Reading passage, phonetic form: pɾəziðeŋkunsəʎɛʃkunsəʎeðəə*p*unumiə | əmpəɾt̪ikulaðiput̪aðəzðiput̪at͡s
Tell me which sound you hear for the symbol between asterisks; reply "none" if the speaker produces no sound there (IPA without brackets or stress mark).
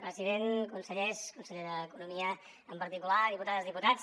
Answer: k